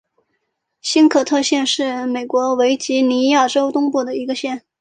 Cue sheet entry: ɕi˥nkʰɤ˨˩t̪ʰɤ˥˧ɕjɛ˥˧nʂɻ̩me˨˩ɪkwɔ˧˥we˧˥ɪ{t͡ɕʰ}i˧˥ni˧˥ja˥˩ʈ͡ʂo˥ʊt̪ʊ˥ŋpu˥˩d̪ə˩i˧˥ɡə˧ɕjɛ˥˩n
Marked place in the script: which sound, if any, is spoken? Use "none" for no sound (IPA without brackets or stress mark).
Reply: t͡ɕ